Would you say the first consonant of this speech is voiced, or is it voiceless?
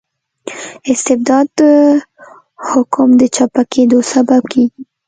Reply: voiceless